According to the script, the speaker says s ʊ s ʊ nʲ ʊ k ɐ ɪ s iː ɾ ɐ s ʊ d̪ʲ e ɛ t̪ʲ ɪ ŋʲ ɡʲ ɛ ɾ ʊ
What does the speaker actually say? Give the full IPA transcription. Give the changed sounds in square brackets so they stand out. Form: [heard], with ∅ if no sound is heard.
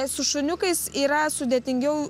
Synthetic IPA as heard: s ʊ [ʃ] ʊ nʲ ʊ k ɐ ɪ s iː ɾ ɐ s ʊ d̪ʲ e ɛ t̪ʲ ɪ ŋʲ ɡʲ ɛ [∅] ʊ